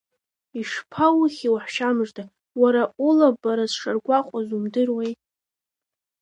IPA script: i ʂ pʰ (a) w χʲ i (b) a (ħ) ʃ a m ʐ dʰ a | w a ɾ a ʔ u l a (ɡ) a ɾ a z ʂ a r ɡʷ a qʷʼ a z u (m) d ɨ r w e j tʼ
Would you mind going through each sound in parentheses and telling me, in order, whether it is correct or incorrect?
correct, incorrect, correct, incorrect, correct

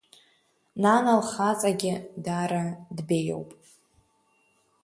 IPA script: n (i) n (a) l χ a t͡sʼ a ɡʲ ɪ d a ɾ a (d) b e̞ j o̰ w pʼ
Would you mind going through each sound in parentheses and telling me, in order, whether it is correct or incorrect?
incorrect, correct, correct

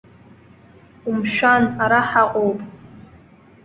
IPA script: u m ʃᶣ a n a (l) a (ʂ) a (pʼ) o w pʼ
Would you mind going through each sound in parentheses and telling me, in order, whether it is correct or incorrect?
incorrect, incorrect, incorrect

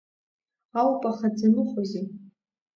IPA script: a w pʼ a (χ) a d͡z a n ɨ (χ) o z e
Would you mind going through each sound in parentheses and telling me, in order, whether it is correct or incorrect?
correct, correct

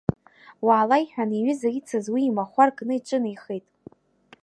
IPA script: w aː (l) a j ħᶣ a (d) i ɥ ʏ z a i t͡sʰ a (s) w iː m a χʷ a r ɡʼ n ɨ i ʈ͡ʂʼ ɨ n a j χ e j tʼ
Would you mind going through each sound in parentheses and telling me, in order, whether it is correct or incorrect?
correct, incorrect, incorrect

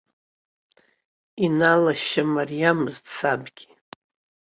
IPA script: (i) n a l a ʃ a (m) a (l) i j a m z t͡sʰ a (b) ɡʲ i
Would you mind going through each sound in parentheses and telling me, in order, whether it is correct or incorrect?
correct, correct, incorrect, correct

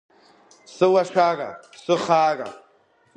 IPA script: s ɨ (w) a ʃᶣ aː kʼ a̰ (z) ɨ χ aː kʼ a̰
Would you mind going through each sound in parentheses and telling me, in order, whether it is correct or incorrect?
correct, incorrect

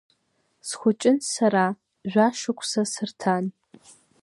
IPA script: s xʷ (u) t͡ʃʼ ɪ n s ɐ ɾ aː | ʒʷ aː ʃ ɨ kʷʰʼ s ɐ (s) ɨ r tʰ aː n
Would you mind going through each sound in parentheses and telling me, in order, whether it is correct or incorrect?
incorrect, correct

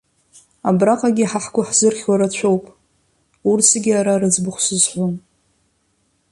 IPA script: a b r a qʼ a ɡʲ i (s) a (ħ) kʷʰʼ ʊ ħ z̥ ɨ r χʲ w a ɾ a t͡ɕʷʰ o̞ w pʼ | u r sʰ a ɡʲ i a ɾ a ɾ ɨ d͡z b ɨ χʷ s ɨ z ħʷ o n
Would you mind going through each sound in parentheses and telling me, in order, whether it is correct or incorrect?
incorrect, correct

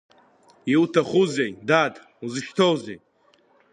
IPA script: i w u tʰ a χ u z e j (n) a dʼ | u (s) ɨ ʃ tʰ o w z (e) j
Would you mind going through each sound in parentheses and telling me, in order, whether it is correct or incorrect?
incorrect, incorrect, correct

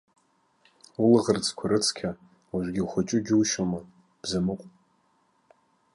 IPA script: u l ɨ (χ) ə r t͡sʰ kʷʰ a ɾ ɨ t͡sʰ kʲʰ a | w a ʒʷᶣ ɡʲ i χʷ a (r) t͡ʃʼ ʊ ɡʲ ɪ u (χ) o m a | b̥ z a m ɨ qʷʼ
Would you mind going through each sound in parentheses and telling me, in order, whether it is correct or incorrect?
incorrect, incorrect, incorrect

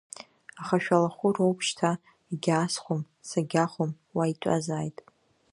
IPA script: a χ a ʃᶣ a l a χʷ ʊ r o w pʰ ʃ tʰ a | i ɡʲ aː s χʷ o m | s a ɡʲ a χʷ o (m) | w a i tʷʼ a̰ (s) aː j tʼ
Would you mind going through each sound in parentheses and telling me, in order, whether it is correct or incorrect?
correct, incorrect

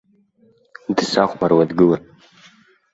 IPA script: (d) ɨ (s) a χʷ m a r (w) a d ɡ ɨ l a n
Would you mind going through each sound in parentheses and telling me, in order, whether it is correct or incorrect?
correct, correct, correct

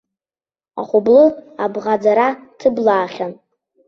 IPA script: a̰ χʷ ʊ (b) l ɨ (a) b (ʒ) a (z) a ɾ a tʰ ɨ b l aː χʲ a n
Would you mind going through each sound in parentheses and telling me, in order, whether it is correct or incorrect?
correct, correct, incorrect, incorrect

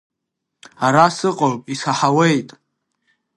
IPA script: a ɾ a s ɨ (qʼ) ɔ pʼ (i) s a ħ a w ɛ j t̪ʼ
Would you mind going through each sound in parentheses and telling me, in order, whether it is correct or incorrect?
correct, correct

